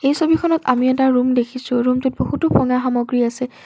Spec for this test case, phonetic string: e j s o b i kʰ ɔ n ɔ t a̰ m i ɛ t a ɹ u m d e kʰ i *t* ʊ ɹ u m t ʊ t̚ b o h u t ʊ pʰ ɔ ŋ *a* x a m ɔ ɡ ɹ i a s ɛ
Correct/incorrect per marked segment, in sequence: incorrect: s, correct

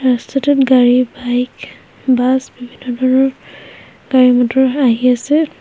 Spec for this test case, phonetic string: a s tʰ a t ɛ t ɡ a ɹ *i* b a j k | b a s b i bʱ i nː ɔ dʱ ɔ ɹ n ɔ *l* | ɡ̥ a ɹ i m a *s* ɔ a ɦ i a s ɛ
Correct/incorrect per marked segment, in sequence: correct, incorrect: ɹ, incorrect: t

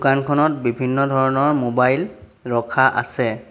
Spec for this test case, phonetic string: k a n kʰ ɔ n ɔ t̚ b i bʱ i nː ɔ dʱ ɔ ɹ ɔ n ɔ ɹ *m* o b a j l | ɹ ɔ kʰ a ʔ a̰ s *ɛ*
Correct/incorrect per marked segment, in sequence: correct, correct

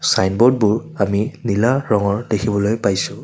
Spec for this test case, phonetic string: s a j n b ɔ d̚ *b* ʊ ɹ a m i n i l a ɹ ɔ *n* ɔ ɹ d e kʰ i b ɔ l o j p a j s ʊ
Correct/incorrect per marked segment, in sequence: correct, incorrect: ŋ

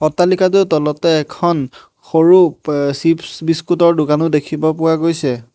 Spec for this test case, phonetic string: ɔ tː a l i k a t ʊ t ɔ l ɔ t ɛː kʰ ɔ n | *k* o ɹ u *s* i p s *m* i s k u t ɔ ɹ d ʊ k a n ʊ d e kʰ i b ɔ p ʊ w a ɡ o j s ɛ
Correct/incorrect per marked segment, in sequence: incorrect: x, correct, incorrect: b

